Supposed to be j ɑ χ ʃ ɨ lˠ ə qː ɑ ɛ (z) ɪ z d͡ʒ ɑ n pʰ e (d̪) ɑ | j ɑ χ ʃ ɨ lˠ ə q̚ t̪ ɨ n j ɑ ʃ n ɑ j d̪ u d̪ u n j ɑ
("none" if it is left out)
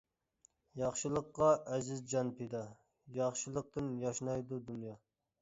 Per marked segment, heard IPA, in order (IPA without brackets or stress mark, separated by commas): z, d̪